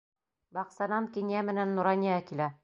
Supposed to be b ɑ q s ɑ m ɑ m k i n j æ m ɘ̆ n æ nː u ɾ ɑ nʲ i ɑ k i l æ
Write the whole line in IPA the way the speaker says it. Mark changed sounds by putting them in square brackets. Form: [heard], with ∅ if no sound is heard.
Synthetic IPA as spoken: b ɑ q s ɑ [n] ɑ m k i n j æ m ɘ̆ n æ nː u ɾ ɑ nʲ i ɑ k i l æ